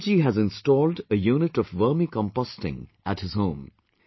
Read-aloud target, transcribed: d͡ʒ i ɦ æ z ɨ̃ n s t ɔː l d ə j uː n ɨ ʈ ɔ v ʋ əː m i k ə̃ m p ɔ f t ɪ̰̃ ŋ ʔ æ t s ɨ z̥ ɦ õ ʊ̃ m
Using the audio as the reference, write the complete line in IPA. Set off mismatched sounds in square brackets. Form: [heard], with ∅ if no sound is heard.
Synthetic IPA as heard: d͡ʒ i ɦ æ z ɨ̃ n s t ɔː l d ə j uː n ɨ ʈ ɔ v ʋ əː m i k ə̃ m p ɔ [s] t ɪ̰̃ ŋ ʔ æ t [h] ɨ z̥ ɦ õ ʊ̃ m

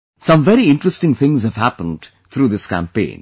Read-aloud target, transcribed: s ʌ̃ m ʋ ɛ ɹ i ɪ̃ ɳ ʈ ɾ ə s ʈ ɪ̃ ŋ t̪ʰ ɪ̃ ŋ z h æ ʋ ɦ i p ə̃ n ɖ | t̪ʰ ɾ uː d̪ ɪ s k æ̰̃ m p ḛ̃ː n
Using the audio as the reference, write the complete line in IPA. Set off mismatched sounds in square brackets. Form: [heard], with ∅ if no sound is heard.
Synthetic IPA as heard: s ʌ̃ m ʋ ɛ [ɾ] i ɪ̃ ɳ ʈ ɾ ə s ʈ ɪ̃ ŋ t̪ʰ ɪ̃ ŋ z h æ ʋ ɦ [æ] p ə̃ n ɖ | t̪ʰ ɾ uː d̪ ɪ s k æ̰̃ m p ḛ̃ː n

